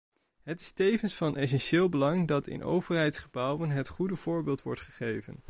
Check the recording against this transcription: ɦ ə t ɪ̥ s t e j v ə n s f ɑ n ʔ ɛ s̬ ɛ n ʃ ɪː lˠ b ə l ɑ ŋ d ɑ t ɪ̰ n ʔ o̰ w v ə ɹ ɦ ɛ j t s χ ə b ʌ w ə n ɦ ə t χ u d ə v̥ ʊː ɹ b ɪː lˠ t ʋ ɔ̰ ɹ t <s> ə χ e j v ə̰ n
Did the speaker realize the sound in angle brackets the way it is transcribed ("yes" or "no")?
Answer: no